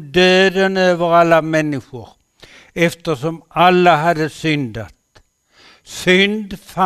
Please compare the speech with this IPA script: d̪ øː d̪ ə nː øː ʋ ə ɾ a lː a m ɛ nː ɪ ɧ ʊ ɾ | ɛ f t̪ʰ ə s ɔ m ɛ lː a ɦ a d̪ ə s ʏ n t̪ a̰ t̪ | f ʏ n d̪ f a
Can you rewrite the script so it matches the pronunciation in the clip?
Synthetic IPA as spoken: d̪ øː d̪ ə n øː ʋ ə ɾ a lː a m ɛ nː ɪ ɧ ʊ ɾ | ɛ f t̪ ə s ɔ m a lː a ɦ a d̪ ə s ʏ n d̪ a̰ t̪ | s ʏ n d̪ f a